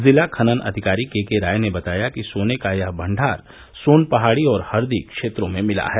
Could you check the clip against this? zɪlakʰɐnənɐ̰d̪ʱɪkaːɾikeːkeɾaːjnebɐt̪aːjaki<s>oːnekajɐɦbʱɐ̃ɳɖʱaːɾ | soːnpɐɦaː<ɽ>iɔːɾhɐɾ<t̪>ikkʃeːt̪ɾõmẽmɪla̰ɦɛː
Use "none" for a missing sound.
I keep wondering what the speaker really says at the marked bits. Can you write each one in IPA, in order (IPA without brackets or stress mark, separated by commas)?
s, ɽ, d̪